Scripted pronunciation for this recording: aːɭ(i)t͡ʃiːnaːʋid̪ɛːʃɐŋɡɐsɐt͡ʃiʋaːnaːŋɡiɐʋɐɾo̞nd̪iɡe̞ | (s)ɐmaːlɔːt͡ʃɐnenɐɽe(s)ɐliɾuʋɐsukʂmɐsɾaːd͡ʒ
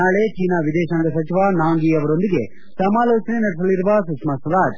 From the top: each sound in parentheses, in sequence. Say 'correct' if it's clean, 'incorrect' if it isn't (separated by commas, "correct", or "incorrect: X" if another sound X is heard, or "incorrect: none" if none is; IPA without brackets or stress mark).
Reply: incorrect: e, correct, correct